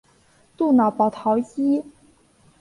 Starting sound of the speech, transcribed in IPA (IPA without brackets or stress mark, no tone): t̪